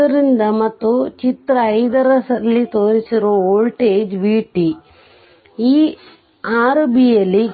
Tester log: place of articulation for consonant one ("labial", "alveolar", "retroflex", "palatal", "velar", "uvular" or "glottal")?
alveolar